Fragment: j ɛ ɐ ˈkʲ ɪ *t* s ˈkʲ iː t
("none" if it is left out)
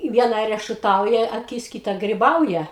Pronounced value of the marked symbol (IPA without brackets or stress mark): none